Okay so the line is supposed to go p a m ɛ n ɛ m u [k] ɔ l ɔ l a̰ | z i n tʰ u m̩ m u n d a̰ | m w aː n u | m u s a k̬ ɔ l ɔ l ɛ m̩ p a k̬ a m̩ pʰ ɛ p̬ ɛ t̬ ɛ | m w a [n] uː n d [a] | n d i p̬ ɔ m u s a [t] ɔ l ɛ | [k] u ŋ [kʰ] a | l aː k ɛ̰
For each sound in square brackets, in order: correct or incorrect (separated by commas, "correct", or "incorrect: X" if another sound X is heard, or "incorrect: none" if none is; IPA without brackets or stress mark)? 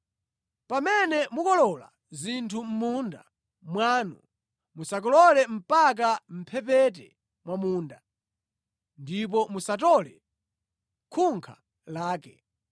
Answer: correct, incorrect: m, correct, correct, incorrect: kʰ, correct